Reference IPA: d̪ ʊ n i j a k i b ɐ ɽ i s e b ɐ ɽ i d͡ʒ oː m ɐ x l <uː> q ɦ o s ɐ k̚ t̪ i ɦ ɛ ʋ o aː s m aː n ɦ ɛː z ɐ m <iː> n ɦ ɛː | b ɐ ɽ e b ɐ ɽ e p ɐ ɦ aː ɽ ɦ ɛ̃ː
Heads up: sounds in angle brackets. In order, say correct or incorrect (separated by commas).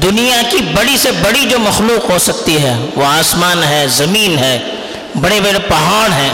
correct, correct